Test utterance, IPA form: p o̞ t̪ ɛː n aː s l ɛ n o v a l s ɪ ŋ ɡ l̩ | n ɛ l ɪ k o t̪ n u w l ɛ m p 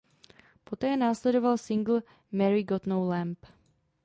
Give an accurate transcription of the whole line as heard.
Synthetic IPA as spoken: p o̞ t̪ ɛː n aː s l ɛ d o v a l s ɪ ŋ ɡ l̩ | m ɛ ɾ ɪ ɡ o t̪ n o w l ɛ m p

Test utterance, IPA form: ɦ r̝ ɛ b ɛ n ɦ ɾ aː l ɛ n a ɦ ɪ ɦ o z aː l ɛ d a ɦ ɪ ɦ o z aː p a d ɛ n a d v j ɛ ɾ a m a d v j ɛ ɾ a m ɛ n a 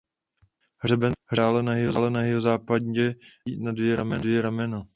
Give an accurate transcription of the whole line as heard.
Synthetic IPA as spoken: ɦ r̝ ɛ b ɛ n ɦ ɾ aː l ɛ n a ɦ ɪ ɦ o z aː l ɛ n a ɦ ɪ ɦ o z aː p a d ɛ n a d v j ɛ ɾ a m ɛ d v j ɛ ɾ a m ɛ n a

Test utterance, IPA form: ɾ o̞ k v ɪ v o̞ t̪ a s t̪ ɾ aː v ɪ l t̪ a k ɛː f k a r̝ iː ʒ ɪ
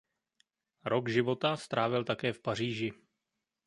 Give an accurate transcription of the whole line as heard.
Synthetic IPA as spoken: ɾ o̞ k ʒ ɪ v o̞ t̪ a s t̪ ɾ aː v ɪ l t̪ a k ɛː f p a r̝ iː ʒ ɪ

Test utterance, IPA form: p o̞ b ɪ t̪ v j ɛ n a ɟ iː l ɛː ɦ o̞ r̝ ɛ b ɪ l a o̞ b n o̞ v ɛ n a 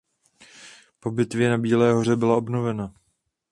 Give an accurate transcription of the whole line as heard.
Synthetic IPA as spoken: p o̞ b ɪ t̪ v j ɛ n a b iː l ɛː ɦ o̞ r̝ ɛ b ɪ l a o̞ b n o̞ v ɛ n a

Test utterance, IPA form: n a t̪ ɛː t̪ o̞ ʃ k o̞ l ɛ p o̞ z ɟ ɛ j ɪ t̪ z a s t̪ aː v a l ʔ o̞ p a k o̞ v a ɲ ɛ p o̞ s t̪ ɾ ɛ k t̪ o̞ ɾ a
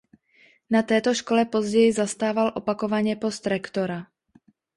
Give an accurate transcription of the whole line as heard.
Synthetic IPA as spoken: n a t̪ ɛː t̪ o̞ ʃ k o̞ l ɛ p o̞ z ɟ ɛ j ɪ z a s t̪ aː v a l ʔ o̞ p a k o̞ v a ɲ ɛ p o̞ s t̪ ɾ ɛ k t̪ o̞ ɾ a

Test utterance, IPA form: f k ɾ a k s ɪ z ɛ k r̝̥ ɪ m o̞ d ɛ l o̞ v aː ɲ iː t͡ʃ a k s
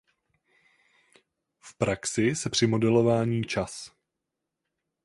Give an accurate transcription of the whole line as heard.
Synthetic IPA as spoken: f p ɾ a k s ɪ s ɛ p r̝̥ ɪ m o̞ d ɛ l o̞ v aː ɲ iː t͡ʃ a s

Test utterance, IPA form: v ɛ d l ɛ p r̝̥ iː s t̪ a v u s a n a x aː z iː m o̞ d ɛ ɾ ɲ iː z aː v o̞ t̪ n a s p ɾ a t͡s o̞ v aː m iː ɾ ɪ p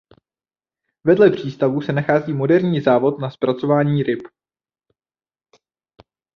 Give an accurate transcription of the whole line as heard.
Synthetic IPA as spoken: v ɛ d l ɛ p r̝̥ iː s t̪ a v u s ɛ n a x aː z iː m o̞ d ɛ ɾ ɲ iː z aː v o̞ t̪ n a s p ɾ a t͡s o̞ v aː ɲ iː ɾ ɪ p

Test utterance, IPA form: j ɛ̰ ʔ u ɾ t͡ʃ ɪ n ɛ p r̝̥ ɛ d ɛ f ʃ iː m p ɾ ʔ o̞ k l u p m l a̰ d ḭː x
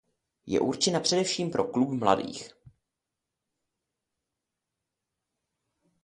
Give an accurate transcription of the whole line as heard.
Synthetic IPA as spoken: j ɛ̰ ʔ u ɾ t͡ʃ ɪ n a p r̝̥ ɛ d ɛ f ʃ iː m p ɾ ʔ o̞ k l u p m l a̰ d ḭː x

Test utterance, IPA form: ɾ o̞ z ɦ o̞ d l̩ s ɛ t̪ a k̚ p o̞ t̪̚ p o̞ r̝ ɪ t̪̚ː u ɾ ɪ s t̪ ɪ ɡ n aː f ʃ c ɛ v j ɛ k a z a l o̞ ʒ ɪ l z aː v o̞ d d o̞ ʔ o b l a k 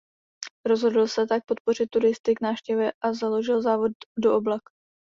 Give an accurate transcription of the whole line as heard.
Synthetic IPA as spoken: ɾ o̞ z ɦ o̞ d l̩ s ɛ t̪ a k̚ p o̞ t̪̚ p o̞ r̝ ɪ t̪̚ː u ɾ ɪ s t̪ ɪ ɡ n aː f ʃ c ɛ v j ɛ ʔ a z a l o̞ ʒ ɪ l z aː v o̞ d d o̞ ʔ o b l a k

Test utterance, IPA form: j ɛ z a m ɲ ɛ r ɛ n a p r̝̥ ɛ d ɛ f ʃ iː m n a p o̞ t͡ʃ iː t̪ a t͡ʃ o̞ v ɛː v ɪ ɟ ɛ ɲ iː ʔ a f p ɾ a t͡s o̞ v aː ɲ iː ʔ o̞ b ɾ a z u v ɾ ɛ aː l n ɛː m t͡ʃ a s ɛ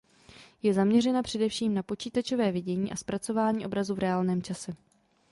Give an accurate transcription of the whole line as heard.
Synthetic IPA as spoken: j ɛ z a m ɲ ɛ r ɛ n a p r̝̥ ɛ d ɛ f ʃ iː m n a p o̞ t͡ʃ iː t̪ a t͡ʃ o̞ v ɛː v ɪ ɟ ɛ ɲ iː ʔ a s p ɾ a t͡s o̞ v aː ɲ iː ʔ o̞ b ɾ a z u v ɾ ɛ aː l n ɛː m t͡ʃ a s ɛ

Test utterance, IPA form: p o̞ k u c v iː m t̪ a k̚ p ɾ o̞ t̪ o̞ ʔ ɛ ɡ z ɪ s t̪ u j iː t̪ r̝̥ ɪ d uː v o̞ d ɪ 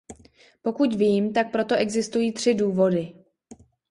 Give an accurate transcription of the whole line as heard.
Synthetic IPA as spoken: p o̞ k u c v iː m t̪ a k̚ p ɾ o̞ t̪ o̞ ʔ ɛ ɡ z ɪ s t̪ u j iː t̪ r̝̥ ɪ d uː v o̞ d ɪ

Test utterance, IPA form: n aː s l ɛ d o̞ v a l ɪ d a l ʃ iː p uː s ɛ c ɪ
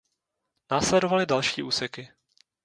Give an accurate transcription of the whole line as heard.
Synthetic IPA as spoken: n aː s l ɛ d o̞ v a l ɪ d a l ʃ iː ʔ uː s ɛ k ɪ

